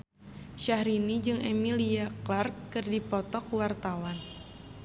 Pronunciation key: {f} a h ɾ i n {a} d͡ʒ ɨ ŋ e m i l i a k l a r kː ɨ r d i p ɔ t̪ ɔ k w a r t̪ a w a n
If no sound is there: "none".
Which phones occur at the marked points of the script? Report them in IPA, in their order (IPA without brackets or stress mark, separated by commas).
ʃ, i